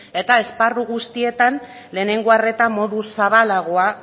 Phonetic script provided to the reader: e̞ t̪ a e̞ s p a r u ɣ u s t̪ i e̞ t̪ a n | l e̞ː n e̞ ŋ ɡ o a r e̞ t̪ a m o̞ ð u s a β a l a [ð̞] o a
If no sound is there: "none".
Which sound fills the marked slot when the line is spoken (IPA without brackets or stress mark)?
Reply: ɣ̞